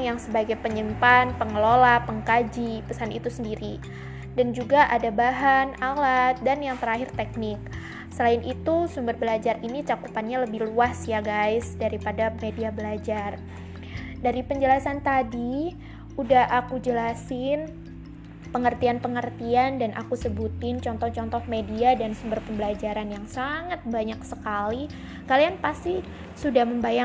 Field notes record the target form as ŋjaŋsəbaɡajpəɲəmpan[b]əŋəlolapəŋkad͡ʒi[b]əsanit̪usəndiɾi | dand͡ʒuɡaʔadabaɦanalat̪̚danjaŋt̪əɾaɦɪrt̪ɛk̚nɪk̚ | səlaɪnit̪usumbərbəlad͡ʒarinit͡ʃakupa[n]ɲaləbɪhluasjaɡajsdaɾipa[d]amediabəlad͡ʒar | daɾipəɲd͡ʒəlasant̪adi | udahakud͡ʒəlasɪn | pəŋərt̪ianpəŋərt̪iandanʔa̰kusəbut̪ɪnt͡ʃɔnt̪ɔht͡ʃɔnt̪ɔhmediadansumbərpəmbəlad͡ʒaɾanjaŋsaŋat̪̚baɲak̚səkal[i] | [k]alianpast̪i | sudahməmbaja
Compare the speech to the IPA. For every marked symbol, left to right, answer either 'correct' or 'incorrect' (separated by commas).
incorrect, incorrect, correct, correct, correct, correct